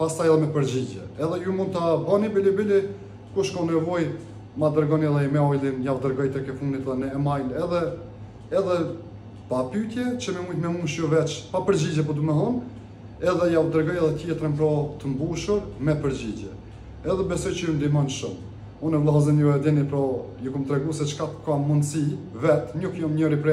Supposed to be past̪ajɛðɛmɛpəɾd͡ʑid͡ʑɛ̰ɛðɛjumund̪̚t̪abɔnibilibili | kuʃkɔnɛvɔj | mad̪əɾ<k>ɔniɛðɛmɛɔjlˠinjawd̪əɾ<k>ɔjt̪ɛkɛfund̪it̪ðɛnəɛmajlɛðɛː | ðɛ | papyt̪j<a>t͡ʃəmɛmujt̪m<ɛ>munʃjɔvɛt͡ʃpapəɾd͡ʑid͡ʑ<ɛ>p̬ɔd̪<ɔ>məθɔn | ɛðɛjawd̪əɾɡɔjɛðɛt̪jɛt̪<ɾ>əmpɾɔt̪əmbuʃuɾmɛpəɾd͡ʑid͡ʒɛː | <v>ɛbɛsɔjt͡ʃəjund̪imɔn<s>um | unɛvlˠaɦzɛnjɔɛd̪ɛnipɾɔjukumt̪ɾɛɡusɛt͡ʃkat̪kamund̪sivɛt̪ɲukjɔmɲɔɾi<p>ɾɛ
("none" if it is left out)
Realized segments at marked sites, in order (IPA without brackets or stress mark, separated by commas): ɡ, ɡ, ɛ, ɛ, ɛ, u, ɾ, ð, ʃ, p